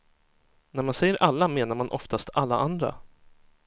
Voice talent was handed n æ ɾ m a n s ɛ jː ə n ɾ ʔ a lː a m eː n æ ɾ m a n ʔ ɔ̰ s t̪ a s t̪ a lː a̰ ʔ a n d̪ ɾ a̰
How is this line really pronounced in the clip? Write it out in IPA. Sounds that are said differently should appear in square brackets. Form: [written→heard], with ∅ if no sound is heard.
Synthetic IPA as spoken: n æ ɾ m a n s ɛ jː ə [n→∅] ɾ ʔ a lː a m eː n [æ→a] ɾ m a n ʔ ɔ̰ [s→f] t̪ a s t̪ a lː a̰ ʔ a n d̪ ɾ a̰